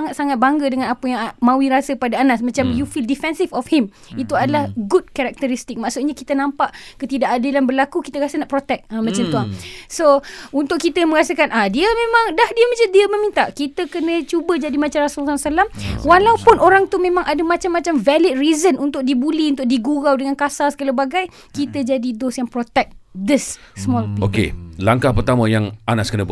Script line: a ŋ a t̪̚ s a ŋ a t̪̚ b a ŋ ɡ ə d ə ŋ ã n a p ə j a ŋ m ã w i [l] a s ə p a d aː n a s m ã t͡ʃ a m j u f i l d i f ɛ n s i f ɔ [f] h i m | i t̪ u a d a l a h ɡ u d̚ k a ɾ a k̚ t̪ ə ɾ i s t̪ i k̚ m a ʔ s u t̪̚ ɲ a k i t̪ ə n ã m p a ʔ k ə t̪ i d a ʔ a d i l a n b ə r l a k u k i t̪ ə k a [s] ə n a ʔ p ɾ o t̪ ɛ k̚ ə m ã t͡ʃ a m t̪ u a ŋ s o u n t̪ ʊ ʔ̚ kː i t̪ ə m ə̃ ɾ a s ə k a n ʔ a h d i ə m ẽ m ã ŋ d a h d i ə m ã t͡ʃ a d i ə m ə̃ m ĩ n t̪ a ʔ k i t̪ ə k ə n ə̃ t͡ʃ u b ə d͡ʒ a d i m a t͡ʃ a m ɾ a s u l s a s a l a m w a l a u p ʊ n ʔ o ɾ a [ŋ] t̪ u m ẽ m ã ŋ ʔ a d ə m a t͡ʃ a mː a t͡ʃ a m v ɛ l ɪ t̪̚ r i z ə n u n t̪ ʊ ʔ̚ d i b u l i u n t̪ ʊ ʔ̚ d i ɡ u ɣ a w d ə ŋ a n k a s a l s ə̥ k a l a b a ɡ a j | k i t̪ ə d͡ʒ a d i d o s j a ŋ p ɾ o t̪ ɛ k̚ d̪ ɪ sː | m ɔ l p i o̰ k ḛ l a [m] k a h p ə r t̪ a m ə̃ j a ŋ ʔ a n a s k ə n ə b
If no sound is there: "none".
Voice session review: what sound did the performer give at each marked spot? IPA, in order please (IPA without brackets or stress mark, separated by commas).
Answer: ɾ, f, s, ŋ, ŋ